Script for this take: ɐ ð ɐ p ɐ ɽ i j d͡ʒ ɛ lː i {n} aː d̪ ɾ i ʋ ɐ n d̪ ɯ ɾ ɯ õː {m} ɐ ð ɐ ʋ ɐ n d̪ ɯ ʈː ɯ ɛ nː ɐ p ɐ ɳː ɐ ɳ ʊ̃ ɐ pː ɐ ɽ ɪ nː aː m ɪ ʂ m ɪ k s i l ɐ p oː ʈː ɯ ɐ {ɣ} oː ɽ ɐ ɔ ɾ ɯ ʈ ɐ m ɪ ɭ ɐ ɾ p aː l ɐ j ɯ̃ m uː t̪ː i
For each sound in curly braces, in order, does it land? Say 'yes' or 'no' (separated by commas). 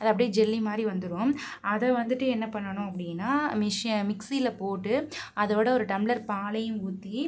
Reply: no, yes, no